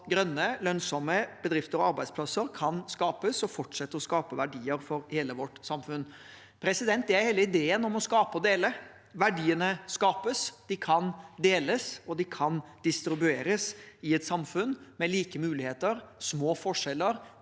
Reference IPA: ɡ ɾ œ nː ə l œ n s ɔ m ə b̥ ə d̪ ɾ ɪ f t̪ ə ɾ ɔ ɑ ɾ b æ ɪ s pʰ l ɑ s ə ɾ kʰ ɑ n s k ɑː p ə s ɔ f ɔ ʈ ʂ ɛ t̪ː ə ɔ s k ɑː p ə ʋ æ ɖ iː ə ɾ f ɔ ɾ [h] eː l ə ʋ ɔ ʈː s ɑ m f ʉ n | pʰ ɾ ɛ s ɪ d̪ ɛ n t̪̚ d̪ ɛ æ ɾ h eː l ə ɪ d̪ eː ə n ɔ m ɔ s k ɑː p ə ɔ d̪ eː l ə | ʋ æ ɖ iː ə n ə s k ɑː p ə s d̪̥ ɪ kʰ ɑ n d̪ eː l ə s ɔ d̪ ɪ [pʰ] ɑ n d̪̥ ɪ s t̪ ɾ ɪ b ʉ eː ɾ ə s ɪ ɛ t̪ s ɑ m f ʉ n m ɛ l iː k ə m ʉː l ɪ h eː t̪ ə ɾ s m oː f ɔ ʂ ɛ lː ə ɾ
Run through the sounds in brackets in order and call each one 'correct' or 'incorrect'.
correct, incorrect

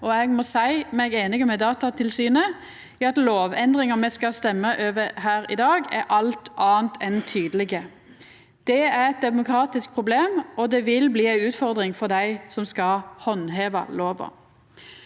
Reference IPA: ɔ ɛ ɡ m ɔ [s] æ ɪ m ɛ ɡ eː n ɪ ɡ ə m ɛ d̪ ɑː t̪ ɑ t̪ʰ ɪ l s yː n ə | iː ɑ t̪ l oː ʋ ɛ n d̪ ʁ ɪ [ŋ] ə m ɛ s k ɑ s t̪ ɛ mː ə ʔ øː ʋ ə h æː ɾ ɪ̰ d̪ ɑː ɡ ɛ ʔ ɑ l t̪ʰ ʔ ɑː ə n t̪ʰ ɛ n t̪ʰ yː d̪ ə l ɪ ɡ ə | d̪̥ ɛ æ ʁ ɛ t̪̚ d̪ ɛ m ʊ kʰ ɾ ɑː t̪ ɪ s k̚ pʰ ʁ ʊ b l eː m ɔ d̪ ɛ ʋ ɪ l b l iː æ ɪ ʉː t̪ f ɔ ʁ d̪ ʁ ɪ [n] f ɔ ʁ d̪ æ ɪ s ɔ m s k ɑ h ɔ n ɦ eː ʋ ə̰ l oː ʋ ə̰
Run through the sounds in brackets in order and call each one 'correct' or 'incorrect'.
correct, correct, incorrect

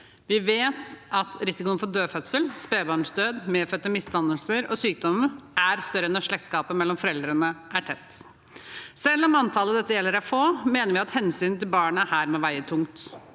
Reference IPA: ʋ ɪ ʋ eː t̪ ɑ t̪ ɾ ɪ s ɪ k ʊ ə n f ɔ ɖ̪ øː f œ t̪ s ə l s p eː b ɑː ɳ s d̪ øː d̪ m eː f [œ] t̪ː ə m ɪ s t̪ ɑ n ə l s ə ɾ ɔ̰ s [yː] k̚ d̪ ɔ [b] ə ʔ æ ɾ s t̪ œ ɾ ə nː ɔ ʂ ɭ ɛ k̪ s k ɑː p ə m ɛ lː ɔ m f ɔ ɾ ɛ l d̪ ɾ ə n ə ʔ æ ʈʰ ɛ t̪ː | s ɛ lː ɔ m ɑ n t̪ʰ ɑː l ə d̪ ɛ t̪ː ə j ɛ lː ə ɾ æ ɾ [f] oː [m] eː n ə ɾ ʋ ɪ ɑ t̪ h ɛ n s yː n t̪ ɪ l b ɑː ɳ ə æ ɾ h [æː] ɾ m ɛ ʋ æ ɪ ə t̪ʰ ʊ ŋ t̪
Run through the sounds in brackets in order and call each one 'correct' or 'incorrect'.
correct, correct, incorrect, correct, correct, correct

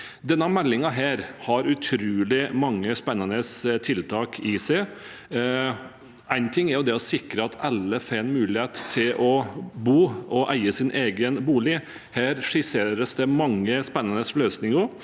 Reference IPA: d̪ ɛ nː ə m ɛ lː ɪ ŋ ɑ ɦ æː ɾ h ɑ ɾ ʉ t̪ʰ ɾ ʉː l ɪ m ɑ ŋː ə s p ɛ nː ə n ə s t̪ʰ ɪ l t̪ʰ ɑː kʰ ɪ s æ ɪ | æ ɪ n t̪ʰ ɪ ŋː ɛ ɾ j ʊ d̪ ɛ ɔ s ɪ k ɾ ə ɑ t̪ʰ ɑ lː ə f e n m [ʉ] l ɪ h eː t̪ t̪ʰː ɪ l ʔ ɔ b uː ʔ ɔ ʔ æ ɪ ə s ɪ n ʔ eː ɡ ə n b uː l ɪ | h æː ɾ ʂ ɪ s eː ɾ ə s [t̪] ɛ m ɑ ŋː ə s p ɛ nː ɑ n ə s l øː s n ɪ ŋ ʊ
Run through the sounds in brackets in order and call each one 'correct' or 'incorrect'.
incorrect, incorrect

